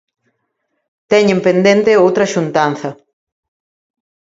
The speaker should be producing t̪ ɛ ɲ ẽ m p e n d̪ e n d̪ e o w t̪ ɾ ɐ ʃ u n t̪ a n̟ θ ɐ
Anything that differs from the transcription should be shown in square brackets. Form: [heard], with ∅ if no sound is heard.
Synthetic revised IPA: t̪ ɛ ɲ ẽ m p e n d̪ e n [t̪] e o w t̪ ɾ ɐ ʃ u n t̪ a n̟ θ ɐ